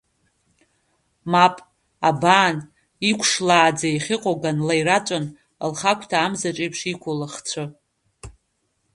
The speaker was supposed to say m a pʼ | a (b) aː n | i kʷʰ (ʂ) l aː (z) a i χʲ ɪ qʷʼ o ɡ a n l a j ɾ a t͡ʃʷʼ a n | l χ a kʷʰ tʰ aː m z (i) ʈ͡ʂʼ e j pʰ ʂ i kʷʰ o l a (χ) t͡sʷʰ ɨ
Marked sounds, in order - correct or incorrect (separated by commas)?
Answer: correct, correct, incorrect, incorrect, correct